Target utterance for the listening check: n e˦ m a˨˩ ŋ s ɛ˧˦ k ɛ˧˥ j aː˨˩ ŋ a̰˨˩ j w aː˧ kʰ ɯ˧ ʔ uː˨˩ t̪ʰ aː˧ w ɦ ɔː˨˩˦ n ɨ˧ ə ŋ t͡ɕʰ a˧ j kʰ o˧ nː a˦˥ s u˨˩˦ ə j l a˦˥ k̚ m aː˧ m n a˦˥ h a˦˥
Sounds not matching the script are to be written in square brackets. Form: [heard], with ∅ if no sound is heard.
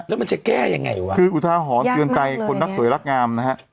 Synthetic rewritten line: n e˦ m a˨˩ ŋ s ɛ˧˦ k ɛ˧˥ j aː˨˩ ŋ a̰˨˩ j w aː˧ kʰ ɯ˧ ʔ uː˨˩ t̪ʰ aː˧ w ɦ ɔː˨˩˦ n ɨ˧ ə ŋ [t͡ɕ] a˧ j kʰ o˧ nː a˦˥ s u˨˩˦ ə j l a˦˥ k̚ [ŋ] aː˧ m n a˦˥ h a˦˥